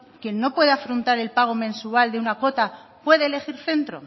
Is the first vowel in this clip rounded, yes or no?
no